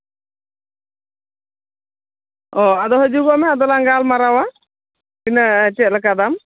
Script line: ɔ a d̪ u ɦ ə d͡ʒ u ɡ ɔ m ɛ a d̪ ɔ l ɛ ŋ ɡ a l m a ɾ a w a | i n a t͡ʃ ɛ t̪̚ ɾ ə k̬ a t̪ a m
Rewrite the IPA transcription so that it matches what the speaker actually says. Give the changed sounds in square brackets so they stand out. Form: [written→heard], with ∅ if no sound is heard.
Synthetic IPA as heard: ɔ a d̪ [u→ɔ] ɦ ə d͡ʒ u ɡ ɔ m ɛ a d̪ ɔ l [ɛ→a] ŋ ɡ a l m a ɾ a w a | i n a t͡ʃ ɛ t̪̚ [ɾ→l] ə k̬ a [t̪→d̪] a m